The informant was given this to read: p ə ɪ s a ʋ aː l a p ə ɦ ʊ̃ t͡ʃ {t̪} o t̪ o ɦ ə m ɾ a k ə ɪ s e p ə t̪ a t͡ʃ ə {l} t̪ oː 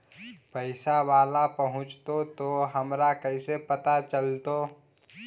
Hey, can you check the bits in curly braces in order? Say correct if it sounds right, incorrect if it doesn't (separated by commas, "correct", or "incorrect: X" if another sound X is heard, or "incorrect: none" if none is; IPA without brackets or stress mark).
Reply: correct, correct